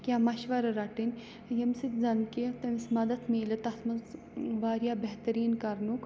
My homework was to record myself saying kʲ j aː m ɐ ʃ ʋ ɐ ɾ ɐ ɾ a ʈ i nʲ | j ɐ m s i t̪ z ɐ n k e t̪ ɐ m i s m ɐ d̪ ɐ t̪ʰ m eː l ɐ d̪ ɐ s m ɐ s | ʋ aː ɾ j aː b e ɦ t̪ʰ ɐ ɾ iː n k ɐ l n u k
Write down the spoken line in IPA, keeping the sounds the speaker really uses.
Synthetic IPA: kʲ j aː m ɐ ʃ ʋ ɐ ɾ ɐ ɾ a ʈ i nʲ | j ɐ m s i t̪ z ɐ n k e t̪ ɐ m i s m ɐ d̪ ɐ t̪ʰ m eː l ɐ t̪ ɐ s m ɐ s | ʋ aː ɾ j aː b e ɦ t̪ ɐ ɾ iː n k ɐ ɾ n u k